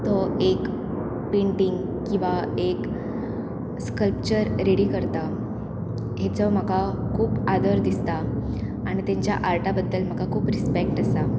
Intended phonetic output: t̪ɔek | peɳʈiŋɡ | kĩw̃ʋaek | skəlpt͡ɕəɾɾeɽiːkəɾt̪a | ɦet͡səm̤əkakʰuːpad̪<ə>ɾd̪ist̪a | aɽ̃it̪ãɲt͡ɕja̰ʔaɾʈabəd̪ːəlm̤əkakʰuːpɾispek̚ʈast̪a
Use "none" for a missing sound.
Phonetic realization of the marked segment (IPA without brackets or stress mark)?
ə